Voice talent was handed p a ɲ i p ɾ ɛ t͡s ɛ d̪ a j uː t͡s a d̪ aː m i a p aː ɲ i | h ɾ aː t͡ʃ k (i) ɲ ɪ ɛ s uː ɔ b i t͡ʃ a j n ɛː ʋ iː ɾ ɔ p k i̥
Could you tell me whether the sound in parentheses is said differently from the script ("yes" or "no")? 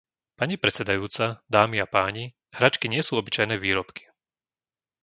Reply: no